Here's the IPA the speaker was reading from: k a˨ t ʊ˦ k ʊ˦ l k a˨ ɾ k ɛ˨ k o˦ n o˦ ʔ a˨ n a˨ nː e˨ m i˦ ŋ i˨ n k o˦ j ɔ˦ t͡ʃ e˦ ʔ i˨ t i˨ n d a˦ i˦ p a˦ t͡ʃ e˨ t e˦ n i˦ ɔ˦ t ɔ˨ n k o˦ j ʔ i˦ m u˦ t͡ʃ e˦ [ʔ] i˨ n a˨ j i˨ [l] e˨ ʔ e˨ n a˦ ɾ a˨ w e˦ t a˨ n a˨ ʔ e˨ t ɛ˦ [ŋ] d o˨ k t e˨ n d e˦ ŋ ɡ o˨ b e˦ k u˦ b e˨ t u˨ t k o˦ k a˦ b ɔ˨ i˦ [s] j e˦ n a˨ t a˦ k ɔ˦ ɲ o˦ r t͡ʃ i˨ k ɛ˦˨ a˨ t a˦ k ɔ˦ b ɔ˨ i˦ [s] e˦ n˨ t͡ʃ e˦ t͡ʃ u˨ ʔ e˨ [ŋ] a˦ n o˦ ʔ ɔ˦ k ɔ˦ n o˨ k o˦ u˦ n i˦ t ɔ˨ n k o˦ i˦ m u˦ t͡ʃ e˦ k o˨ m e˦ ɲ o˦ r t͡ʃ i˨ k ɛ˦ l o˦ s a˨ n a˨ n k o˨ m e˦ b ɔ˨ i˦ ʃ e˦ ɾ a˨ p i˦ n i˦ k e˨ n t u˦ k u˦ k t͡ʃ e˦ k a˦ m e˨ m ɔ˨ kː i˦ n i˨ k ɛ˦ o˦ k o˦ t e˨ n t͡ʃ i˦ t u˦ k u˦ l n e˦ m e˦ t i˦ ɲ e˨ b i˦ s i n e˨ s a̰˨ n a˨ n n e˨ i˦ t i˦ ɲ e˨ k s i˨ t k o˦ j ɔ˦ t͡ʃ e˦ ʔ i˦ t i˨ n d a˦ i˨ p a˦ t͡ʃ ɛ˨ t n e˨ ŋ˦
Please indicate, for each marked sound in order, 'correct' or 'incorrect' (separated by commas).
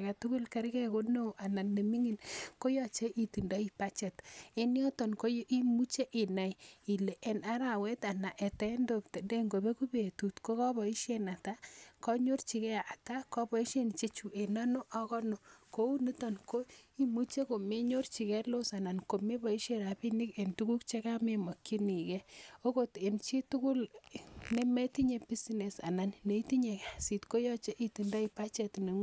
correct, correct, incorrect, incorrect, incorrect, incorrect